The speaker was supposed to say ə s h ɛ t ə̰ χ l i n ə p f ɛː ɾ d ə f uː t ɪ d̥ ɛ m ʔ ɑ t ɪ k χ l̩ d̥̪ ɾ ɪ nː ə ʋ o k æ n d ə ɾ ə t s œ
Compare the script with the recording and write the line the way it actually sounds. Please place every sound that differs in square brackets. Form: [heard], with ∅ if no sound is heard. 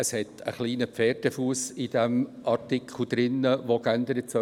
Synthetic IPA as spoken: ə s h ɛ t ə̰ χ l [iː] n ə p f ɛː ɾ d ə f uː [s] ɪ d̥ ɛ m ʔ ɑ t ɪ k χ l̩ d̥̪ ɾ ɪ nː ə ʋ o k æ n d ə ɾ ə t s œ